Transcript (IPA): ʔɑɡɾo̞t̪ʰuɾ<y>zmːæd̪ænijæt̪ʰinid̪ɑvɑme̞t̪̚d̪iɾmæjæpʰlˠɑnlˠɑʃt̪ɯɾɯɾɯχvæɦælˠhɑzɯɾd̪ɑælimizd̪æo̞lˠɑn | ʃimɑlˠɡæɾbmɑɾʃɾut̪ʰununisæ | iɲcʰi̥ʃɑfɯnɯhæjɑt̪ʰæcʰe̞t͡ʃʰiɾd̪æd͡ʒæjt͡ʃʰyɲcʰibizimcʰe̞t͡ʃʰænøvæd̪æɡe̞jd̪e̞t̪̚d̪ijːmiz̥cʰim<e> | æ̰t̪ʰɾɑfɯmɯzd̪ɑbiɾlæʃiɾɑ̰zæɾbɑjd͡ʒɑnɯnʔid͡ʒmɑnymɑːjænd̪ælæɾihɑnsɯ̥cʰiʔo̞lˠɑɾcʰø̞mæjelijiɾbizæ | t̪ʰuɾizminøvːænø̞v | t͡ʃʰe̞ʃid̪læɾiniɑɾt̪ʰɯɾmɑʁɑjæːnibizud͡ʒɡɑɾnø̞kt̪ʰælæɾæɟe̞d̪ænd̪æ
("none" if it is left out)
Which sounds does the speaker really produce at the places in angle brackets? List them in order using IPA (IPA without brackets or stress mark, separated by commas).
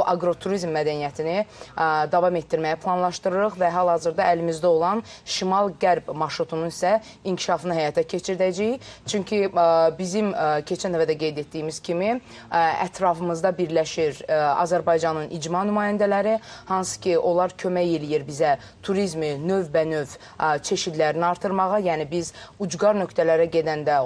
i, i